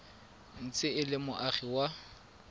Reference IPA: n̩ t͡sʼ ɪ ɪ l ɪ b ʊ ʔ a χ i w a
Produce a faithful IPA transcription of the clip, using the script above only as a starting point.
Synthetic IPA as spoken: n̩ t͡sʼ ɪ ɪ l ɪ m ʊ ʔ a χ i w a